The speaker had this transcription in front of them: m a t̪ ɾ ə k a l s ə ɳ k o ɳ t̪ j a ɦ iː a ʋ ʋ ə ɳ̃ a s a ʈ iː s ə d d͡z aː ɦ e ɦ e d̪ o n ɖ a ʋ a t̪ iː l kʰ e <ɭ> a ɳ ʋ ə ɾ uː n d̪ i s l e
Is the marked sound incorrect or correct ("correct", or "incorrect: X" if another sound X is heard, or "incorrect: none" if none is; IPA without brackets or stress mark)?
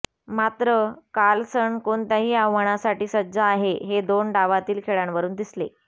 correct